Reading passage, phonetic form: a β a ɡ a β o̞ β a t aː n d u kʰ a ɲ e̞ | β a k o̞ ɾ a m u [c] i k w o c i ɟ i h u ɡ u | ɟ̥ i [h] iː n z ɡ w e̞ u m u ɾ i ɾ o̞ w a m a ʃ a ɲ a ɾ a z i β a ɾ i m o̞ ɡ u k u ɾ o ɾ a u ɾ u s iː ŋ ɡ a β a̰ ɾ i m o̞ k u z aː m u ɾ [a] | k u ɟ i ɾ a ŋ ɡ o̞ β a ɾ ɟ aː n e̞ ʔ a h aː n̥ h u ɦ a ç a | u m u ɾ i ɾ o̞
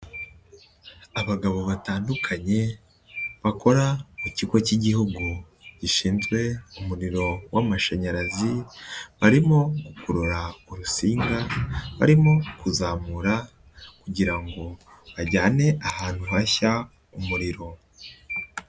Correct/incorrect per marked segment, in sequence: correct, incorrect, correct

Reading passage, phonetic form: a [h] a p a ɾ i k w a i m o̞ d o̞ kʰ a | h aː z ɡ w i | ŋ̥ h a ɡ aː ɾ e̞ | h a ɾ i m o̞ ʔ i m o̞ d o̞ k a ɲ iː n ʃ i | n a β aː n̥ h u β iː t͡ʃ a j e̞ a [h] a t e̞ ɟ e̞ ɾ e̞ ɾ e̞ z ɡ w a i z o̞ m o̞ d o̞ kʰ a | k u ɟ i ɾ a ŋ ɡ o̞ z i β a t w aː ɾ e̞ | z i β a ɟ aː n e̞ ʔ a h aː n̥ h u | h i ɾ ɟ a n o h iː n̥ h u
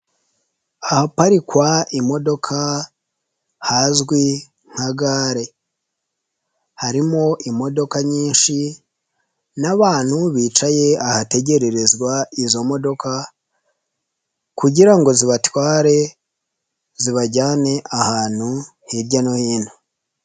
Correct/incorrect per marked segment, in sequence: correct, correct

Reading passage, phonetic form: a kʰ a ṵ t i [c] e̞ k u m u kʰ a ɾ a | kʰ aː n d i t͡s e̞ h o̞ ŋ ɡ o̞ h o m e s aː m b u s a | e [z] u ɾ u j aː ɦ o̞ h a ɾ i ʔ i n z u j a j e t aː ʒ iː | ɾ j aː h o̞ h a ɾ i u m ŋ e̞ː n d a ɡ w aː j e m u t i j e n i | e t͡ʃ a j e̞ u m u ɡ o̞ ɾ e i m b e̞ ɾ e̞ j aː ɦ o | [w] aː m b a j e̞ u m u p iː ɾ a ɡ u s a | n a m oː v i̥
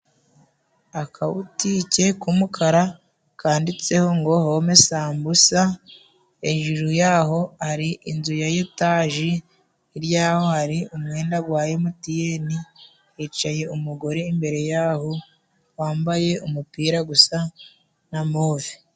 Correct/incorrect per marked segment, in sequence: correct, incorrect, correct

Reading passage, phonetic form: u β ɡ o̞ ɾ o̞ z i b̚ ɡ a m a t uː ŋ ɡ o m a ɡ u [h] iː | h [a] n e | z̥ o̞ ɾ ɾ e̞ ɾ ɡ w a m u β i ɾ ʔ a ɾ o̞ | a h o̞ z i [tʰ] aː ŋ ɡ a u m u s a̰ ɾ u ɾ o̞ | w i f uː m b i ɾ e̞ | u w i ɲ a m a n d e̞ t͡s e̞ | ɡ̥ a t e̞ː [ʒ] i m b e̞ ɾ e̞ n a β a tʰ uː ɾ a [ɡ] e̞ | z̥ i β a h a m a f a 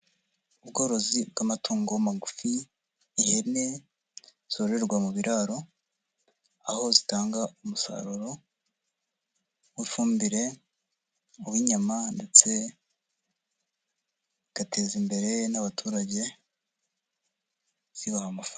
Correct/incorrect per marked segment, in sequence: incorrect, incorrect, incorrect, incorrect, incorrect

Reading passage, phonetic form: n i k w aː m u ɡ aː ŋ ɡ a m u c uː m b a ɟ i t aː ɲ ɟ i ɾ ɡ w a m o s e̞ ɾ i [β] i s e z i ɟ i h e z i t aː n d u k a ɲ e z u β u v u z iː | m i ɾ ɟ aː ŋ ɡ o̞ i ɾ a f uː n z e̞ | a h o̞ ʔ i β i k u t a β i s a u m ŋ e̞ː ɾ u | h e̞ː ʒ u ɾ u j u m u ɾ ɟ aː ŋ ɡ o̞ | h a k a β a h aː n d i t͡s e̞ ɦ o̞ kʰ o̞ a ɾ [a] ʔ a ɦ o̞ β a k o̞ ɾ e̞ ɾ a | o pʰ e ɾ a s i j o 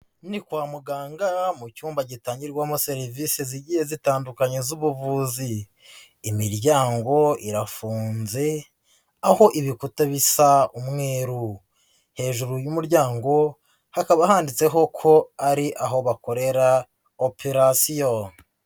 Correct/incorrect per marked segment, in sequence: incorrect, incorrect

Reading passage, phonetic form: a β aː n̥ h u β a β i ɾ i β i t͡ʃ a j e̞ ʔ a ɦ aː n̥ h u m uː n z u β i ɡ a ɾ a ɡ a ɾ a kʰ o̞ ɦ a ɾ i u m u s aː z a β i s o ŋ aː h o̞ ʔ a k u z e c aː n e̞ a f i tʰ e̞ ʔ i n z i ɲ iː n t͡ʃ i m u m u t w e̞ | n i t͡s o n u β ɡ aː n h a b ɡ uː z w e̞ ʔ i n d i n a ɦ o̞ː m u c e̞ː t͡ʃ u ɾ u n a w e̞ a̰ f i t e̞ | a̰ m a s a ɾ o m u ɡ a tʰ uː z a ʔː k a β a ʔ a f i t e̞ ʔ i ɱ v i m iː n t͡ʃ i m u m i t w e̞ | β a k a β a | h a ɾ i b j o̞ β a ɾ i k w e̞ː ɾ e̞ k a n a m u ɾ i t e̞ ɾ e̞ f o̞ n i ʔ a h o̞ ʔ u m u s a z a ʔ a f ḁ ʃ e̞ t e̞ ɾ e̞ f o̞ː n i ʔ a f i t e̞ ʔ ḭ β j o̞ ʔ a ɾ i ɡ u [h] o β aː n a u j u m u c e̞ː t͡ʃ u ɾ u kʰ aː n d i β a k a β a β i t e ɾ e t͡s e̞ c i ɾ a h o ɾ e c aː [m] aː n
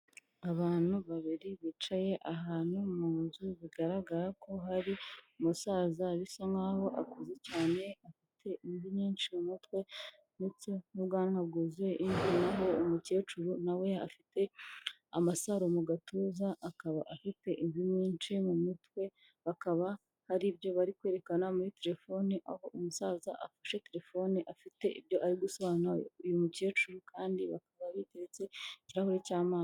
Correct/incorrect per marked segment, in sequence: incorrect, correct

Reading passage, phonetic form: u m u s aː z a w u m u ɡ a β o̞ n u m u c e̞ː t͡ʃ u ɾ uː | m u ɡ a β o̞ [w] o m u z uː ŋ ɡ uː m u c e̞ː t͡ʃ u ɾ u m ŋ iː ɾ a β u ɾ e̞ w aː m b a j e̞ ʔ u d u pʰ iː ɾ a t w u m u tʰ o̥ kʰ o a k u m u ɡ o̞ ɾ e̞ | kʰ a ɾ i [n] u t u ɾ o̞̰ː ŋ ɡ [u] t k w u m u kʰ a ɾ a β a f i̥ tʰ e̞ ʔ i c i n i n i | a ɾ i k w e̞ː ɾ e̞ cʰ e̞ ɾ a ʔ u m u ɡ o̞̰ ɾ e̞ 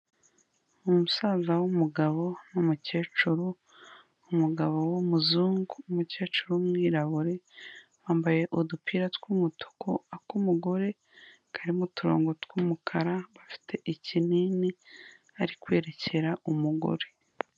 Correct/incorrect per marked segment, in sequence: correct, incorrect, incorrect

